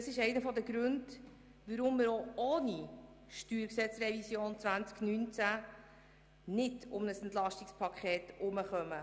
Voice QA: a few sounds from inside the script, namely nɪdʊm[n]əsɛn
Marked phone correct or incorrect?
correct